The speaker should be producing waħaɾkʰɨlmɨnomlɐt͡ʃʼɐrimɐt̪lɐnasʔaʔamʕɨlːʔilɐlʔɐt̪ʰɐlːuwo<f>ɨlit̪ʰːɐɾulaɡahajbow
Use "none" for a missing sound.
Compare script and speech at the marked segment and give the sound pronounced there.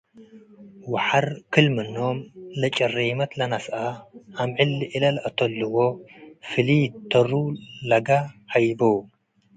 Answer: f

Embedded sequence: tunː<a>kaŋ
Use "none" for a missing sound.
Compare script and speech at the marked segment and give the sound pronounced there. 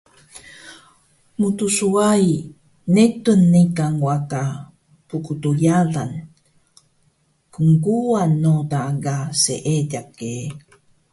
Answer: i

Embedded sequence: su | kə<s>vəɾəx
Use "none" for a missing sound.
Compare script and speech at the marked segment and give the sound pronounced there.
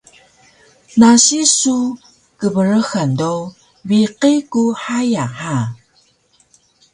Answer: none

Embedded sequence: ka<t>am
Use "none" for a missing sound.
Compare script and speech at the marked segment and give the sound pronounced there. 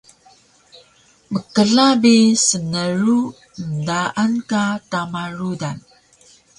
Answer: t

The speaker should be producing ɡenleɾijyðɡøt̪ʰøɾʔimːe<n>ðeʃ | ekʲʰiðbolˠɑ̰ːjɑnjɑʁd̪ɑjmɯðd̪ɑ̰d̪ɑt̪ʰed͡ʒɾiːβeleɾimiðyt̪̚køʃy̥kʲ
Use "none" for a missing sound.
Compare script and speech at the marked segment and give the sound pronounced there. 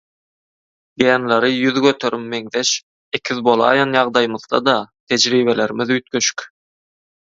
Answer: ŋ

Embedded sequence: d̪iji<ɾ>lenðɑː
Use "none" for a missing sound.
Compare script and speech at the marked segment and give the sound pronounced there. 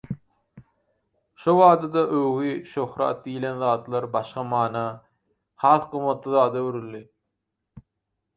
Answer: none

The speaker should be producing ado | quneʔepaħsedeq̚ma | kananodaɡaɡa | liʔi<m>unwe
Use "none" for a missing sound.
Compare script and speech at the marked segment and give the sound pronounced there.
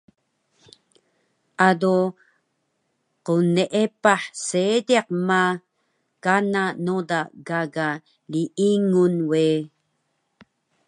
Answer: ŋ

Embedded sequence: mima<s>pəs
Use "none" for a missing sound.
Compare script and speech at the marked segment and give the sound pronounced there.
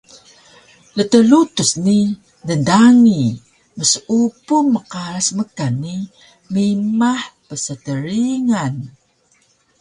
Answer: ħ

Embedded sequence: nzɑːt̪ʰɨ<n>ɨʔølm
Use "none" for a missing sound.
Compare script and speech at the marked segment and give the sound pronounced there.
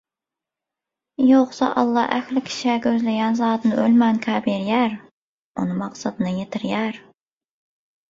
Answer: n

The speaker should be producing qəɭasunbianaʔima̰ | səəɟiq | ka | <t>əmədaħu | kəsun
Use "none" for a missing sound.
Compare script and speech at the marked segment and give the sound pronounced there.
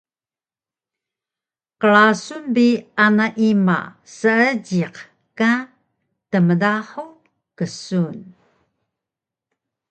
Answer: t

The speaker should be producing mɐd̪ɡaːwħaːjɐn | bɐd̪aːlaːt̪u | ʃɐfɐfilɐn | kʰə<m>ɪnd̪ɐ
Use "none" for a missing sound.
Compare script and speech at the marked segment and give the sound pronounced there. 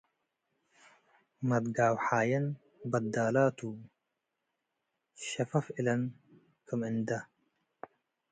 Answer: m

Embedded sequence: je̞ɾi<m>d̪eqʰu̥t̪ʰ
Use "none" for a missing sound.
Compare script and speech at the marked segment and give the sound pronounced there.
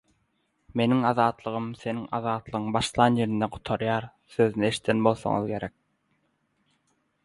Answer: n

